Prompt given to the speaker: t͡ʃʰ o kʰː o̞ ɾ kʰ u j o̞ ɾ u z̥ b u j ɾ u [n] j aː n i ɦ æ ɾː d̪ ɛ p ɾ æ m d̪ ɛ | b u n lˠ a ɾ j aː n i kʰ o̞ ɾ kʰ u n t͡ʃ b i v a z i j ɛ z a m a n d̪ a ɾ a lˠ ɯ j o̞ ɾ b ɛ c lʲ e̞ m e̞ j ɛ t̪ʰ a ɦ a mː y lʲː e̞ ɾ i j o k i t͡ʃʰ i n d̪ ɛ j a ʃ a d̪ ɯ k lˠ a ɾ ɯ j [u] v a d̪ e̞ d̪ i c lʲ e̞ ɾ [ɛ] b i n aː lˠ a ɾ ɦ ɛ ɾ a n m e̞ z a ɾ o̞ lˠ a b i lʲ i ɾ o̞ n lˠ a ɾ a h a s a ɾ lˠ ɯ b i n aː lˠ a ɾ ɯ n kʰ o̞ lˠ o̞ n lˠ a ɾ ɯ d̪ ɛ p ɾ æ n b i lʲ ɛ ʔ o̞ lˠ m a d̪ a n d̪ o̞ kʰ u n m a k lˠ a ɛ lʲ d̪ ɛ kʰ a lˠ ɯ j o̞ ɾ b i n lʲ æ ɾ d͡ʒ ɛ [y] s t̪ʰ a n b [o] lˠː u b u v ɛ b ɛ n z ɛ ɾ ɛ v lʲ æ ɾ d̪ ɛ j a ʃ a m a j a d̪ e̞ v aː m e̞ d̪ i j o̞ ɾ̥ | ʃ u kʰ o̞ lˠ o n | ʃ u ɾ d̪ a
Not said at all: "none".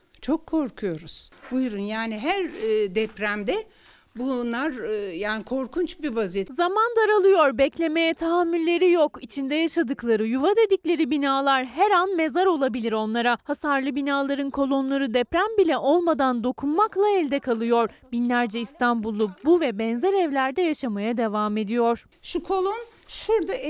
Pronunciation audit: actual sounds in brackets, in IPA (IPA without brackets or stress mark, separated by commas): n, u, i, i, u